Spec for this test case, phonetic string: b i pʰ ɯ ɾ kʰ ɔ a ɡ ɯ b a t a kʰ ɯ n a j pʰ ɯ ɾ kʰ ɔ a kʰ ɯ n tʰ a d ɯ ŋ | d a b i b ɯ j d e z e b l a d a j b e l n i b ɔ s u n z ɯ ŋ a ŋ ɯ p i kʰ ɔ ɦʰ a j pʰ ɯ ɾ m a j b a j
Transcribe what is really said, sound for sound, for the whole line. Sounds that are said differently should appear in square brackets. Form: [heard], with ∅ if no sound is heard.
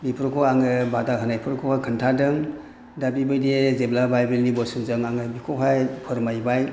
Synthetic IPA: b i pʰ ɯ ɾ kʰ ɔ a [ŋ] ɯ b a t a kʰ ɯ n a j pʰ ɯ ɾ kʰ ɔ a kʰ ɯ n tʰ a d ɯ ŋ | d a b i b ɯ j d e z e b l a [b] a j b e l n i b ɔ s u n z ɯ ŋ a ŋ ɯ [b] i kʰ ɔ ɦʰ a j pʰ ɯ ɾ m a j b a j